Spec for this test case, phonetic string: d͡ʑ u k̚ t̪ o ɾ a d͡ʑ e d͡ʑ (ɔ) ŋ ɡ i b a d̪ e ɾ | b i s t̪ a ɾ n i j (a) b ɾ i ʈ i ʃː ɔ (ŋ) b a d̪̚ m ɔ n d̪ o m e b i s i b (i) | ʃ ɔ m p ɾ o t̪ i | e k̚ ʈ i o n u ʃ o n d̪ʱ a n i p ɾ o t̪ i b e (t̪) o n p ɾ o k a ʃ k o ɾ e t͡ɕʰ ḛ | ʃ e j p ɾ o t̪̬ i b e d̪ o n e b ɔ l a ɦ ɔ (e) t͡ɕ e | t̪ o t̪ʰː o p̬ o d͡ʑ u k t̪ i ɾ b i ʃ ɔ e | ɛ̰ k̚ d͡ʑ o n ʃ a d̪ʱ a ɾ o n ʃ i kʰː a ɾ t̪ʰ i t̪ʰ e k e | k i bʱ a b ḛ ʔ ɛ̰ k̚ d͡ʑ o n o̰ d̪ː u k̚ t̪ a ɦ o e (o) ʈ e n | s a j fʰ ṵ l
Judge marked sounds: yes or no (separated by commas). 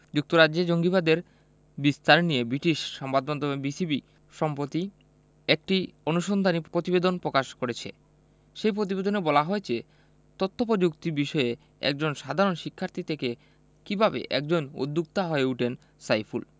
no, no, no, yes, no, yes, no